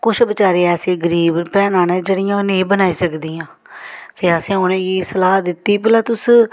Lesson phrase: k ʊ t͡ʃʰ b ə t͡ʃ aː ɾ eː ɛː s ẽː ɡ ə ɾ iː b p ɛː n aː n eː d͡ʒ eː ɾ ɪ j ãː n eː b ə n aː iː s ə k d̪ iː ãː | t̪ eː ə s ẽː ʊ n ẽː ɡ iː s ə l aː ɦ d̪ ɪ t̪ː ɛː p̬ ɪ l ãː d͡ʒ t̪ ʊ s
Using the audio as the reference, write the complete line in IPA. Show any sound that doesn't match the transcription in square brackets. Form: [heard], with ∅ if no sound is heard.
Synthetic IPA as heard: k ʊ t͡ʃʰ b ə t͡ʃ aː ɾ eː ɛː s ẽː ɡ ə ɾ iː b p ɛː n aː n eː d͡ʒ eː [ɽ] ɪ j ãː n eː b ə n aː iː s ə k d̪ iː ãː | t̪ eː ə s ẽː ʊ n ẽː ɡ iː s ə l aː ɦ d̪ ɪ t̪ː [iː] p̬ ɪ l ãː [∅] t̪ ʊ s

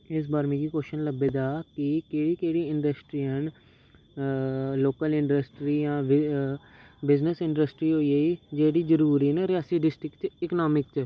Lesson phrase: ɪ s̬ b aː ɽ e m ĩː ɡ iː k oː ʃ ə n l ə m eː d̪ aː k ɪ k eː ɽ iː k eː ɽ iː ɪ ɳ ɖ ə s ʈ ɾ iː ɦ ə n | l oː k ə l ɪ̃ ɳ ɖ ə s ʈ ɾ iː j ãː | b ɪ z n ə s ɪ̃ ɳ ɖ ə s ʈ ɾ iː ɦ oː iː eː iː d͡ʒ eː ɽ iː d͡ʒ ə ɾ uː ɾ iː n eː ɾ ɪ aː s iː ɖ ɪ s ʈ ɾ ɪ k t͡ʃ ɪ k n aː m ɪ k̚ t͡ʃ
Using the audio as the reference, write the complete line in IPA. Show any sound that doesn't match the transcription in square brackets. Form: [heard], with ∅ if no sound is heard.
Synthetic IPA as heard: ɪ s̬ b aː [ɾ] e m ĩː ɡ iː k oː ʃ ə n l ə [b] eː d̪ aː k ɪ k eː ɽ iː k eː ɽ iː ɪ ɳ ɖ ə s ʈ ɾ iː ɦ ə n | l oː k ə l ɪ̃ ɳ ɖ ə s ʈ ɾ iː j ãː | b ɪ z n ə s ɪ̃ ɳ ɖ ə s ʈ ɾ iː ɦ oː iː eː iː d͡ʒ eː ɽ iː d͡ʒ ə ɾ uː ɾ iː n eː ɾ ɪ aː s iː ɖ ɪ s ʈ ɾ ɪ k t͡ʃ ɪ k n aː m ɪ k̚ t͡ʃ

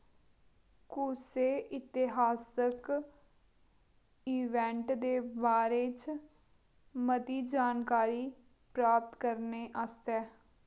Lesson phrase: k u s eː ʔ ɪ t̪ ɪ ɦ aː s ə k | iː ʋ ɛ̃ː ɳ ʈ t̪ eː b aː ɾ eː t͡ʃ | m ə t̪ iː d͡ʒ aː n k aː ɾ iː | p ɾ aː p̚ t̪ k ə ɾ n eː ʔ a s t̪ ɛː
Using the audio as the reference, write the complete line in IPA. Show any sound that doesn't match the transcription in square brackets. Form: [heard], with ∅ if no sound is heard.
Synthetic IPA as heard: k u s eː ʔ ɪ t̪ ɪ ɦ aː s ə k | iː ʋ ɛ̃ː ɳ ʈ [d̪] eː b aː ɾ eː t͡ʃ | m ə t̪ iː d͡ʒ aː n k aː ɾ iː | p ɾ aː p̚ t̪ k ə ɾ n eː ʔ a s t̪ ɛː

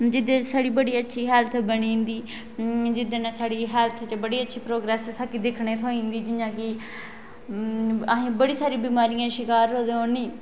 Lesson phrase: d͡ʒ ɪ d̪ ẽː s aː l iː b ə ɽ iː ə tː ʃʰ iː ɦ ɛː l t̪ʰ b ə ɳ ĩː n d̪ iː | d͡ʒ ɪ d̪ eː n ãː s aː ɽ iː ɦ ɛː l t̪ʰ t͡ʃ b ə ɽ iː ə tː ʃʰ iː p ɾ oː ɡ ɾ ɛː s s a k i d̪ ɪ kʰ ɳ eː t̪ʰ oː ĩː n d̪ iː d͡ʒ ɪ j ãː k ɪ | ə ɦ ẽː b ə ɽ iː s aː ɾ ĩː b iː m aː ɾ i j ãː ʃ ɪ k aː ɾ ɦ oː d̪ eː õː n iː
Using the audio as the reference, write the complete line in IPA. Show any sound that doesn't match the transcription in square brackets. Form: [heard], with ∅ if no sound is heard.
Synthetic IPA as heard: d͡ʒ ɪ d̪ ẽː s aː [ɽ] iː b ə ɽ iː ə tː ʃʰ iː ɦ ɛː l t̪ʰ b ə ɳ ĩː n d̪ iː | d͡ʒ ɪ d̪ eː n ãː s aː ɽ iː ɦ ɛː l t̪ʰ t͡ʃ b ə ɽ iː ə tː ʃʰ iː p ɾ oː ɡ ɾ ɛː s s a k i d̪ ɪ kʰ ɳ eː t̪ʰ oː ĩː n d̪ iː d͡ʒ ɪ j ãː k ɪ | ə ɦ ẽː b ə ɽ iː s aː ɾ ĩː b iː m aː ɾ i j ãː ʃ ɪ k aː ɾ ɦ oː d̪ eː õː n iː

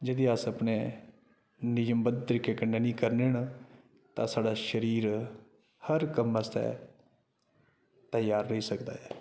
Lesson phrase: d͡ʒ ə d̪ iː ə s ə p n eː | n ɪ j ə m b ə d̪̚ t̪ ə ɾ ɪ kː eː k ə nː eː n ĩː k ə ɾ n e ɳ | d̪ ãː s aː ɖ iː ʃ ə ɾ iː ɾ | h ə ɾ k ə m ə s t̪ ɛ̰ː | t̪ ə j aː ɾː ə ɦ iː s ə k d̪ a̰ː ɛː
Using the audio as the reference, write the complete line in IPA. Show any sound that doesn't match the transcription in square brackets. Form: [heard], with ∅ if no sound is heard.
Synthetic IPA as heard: d͡ʒ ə d̪ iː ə s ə p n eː | n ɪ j ə m b ə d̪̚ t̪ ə ɾ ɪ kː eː k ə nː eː n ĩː k ə ɾ n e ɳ | [t̪] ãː s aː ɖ [aː] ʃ ə ɾ iː ɾ | h ə ɾ k ə m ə s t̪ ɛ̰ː | t̪ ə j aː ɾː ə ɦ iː s ə k d̪ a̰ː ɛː

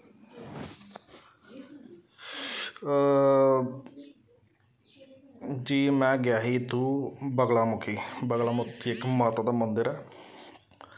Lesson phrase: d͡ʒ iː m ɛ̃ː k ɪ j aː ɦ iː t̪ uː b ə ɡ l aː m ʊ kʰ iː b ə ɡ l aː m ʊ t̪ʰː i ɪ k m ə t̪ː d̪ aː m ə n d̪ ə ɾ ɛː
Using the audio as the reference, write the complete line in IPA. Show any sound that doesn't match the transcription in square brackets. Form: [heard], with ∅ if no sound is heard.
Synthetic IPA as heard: d͡ʒ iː m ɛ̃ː [ɡ] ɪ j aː ɦ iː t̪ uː b ə ɡ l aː m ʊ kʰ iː b ə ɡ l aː m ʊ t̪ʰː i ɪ k m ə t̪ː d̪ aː m ə n d̪ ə ɾ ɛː

